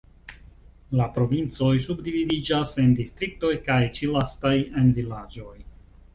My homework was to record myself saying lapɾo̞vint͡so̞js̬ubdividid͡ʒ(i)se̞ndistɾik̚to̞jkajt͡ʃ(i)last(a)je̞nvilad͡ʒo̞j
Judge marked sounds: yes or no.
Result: no, yes, yes

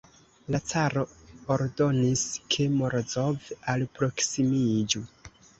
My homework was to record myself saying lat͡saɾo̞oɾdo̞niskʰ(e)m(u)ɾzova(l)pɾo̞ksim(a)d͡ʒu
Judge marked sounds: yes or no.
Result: yes, no, yes, no

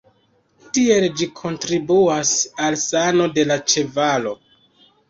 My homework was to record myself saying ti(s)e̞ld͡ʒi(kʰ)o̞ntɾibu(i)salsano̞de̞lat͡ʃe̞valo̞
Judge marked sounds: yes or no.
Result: no, yes, no

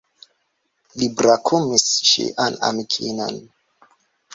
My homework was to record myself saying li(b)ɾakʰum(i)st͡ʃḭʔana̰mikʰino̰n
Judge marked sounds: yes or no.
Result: yes, yes

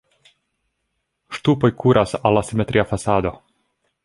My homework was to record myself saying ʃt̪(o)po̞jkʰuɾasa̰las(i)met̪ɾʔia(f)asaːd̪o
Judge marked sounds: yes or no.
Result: no, yes, yes

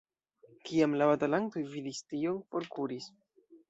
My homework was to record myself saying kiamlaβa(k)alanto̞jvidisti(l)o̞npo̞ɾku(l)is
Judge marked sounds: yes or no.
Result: no, no, no

